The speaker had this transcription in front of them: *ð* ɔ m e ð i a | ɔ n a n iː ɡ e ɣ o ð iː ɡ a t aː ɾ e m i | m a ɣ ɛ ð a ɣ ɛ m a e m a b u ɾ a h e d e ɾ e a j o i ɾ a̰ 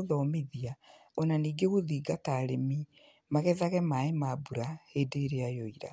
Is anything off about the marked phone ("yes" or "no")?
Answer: no